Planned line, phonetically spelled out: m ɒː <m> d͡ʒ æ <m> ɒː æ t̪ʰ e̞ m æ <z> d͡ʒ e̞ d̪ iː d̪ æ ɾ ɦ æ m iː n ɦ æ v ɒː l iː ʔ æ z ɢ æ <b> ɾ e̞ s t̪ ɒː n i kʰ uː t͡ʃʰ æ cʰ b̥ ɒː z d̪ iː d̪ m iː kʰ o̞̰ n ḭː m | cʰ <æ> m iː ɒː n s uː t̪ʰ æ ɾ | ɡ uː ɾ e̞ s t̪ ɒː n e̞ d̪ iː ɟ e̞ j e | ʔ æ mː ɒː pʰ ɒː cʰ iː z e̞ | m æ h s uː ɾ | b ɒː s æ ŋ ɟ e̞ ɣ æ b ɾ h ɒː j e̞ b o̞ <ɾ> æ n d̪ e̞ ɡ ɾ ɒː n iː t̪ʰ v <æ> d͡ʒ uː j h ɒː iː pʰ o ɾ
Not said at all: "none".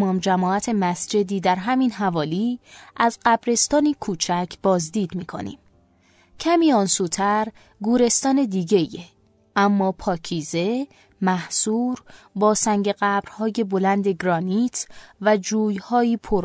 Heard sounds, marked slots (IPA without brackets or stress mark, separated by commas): m, m, s, b, æ, l, æ